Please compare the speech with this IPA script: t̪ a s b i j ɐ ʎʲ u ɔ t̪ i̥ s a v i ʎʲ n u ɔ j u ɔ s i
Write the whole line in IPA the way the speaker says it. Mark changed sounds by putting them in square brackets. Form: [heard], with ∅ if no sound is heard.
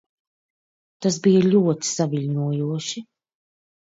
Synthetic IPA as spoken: t̪ a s b i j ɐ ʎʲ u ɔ t̪ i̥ s a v i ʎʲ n u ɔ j u ɔ [ʃ] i